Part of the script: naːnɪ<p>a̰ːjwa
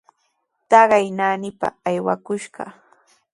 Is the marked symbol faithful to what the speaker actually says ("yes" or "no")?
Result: yes